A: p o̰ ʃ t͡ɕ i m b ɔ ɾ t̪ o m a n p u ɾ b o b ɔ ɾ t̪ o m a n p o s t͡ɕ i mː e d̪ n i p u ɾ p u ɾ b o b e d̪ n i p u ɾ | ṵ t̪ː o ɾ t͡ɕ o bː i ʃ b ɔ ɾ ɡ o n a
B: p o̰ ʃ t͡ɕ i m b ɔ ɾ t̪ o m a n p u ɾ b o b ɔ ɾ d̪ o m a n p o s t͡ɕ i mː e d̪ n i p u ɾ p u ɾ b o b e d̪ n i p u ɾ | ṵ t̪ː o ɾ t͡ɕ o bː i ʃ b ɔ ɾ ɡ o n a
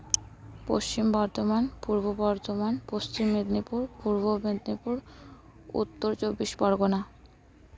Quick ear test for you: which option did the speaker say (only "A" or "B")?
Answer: A